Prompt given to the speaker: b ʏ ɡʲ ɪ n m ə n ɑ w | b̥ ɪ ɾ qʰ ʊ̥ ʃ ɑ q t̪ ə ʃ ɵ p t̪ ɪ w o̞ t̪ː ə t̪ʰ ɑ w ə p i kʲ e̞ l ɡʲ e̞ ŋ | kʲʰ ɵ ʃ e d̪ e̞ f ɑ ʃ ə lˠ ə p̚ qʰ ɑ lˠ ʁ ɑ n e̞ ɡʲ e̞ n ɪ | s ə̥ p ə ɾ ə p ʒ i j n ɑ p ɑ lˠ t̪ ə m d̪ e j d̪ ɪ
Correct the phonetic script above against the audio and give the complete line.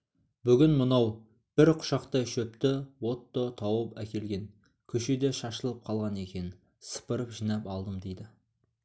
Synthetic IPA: b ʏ ɡʲ ɪ n m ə n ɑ w | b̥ ɪ ɾ qʰ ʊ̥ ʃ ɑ q t̪ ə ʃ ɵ p t̪ ɪ w o̞ t̪ː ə t̪ʰ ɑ w ə p æ kʲ e̞ l ɡʲ e̞ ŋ | kʲʰ ɵ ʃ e d̪ e̞ ʃ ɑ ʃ ə lˠ ə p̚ qʰ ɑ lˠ ʁ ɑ n e̞ kʲ e̞ n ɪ | s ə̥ p ə ɾ ə p ʒ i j n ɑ p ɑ lˠ d̪ ə m d̪ e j d̪ ɪ